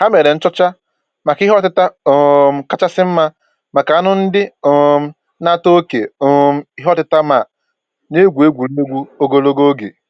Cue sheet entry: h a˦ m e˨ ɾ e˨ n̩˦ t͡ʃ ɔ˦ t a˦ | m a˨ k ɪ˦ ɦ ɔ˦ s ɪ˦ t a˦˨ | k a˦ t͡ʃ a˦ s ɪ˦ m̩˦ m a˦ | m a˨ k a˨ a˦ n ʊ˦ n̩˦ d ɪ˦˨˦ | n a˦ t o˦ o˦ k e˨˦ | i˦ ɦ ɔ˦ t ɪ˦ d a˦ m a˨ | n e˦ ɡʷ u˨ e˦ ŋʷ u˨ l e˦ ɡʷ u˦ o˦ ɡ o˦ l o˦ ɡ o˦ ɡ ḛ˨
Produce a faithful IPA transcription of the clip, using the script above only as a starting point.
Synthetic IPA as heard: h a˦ m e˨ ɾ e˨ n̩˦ t͡ʃ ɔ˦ t͡ʃ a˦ | m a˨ k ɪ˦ ɦ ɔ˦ t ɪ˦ t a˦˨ | k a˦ t͡ʃ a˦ s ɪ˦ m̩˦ m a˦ | m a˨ k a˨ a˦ n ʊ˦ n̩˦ d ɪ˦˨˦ | n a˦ t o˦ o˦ k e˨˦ | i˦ ɦ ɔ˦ t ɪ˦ t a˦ m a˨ | n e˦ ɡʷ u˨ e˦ ɡʷ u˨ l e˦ ɡʷ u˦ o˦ ɡ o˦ l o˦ ɡ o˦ ɡ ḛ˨